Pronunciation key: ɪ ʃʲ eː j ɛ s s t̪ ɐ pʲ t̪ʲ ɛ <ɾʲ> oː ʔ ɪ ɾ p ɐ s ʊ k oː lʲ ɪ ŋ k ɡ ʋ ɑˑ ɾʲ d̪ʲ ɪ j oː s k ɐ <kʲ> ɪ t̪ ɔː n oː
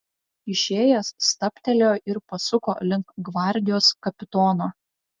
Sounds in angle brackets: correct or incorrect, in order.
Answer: incorrect, incorrect

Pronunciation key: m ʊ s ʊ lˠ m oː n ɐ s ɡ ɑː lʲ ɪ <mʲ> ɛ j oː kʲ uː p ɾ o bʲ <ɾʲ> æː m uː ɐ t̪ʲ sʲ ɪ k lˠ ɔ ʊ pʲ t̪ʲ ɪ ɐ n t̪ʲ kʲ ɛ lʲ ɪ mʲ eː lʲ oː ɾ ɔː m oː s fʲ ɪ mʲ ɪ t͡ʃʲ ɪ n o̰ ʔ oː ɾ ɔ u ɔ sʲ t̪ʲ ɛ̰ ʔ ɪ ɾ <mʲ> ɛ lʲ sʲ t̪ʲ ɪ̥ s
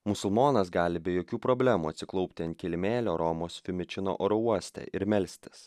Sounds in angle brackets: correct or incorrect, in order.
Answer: incorrect, incorrect, correct

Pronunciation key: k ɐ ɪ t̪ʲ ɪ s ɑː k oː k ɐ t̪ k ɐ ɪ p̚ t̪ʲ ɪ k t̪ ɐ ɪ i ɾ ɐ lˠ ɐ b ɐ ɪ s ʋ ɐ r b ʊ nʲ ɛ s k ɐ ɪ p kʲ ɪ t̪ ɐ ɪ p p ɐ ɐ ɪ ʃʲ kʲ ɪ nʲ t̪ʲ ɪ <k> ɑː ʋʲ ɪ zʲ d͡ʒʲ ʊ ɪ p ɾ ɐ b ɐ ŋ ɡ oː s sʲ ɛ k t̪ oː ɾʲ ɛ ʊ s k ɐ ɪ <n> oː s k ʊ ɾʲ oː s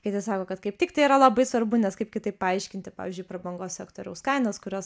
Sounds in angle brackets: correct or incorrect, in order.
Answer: incorrect, correct

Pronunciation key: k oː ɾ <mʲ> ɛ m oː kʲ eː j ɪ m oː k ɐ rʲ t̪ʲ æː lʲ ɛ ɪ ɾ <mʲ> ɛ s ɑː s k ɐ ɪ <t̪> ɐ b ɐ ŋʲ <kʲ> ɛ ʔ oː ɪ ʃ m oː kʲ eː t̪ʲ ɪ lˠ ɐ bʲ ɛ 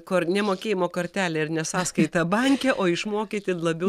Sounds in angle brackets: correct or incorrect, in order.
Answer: incorrect, incorrect, correct, correct

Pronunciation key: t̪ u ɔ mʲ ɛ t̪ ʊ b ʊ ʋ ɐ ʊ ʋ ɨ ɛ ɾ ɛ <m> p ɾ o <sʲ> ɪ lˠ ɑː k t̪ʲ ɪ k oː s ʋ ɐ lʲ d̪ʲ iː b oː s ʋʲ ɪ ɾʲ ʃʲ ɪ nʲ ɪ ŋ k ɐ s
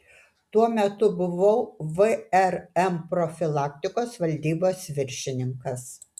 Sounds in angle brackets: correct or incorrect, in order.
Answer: correct, incorrect

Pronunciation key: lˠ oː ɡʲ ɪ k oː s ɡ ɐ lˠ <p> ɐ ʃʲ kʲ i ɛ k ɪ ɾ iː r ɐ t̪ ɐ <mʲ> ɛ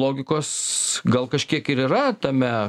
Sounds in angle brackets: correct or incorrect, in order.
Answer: incorrect, correct

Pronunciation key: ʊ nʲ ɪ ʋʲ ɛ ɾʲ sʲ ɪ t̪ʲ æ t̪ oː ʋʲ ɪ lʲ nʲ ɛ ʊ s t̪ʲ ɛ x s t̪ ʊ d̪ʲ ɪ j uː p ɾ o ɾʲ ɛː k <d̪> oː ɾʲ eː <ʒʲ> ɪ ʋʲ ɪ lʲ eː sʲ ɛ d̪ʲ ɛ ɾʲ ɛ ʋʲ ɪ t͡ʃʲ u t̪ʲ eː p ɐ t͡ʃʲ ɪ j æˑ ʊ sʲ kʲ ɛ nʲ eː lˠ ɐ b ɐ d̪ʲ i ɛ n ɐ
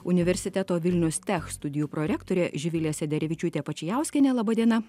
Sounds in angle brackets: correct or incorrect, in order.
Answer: incorrect, correct

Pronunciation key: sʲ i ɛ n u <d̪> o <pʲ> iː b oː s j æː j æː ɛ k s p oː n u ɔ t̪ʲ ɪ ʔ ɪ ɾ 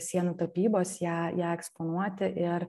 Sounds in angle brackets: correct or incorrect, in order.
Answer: incorrect, correct

